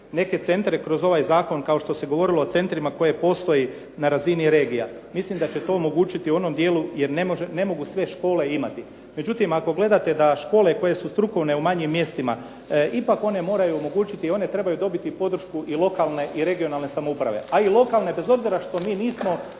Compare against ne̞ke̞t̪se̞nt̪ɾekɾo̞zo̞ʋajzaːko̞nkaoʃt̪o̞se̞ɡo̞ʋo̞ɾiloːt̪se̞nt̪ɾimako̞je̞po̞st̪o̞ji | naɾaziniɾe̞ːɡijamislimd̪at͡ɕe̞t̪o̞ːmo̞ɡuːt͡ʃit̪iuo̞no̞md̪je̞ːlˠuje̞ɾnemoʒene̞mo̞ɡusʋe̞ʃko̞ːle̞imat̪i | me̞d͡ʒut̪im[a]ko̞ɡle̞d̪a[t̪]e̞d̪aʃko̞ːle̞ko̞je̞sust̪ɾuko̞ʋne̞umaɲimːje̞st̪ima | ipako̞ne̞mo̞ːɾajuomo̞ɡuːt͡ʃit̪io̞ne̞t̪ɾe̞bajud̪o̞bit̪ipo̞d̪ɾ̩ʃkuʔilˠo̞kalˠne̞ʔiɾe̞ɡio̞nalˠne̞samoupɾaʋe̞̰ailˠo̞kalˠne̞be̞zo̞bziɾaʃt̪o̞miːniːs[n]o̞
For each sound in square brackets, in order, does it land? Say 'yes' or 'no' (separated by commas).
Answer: yes, yes, no